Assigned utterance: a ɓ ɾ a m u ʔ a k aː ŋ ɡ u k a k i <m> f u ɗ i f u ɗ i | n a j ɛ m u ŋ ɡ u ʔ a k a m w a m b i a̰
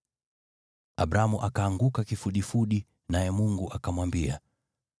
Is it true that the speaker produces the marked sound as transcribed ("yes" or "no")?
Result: no